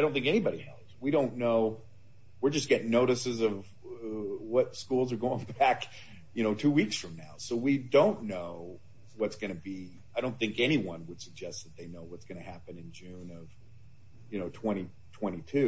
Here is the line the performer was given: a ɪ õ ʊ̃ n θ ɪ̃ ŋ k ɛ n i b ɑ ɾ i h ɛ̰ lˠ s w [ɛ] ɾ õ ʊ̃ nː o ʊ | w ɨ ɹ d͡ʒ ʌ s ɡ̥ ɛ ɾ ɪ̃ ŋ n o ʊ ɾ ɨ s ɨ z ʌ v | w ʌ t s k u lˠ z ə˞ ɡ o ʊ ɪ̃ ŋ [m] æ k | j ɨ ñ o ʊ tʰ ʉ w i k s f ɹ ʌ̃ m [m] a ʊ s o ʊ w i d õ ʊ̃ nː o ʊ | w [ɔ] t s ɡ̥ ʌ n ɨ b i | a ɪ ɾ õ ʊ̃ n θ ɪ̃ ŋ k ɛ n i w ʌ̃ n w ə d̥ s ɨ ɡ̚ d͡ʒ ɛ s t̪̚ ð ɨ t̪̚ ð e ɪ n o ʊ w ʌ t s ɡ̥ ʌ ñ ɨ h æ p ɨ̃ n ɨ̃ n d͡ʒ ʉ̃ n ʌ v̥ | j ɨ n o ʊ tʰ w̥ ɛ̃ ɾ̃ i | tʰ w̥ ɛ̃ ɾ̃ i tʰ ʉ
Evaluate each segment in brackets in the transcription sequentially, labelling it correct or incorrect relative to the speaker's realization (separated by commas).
incorrect, incorrect, incorrect, incorrect